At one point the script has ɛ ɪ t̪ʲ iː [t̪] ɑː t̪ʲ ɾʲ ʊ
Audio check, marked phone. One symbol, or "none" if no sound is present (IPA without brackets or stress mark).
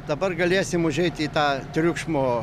t̪